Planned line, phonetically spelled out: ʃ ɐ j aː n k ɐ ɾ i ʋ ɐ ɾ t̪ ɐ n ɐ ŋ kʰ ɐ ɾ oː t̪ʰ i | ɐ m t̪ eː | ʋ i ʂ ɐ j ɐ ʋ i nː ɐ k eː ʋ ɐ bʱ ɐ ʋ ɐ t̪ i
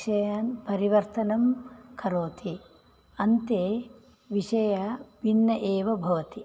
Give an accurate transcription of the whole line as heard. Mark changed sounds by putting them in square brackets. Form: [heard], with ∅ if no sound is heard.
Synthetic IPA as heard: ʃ ɐ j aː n [p] ɐ ɾ i ʋ ɐ ɾ t̪ ɐ n ɐ [m] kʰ ɐ ɾ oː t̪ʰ i | ɐ [n] t̪ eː | ʋ i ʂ ɐ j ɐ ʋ i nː ɐ [ʔ] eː ʋ ɐ bʱ ɐ ʋ ɐ t̪ i